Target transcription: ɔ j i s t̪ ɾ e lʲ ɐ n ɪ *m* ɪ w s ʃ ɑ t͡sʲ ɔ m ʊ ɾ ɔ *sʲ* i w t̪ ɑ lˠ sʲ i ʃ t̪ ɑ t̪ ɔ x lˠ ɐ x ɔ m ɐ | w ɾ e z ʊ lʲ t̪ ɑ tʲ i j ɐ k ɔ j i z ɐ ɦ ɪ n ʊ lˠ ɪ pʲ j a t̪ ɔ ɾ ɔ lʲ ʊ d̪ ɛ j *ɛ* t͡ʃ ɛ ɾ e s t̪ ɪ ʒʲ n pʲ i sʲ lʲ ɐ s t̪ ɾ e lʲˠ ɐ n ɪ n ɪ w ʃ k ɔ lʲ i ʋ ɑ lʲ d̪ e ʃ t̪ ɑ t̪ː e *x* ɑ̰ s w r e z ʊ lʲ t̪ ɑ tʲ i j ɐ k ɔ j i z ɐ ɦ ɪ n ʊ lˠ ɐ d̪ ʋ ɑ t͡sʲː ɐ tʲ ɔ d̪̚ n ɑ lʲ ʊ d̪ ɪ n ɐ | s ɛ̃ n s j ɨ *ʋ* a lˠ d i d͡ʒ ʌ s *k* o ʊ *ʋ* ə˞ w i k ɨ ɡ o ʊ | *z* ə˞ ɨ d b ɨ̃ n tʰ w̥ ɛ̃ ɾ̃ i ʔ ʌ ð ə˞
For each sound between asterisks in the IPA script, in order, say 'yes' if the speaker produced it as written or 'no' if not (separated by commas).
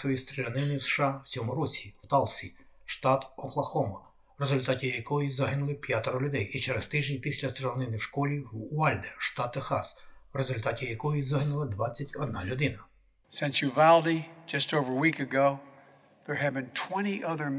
no, yes, no, yes, no, no, no, no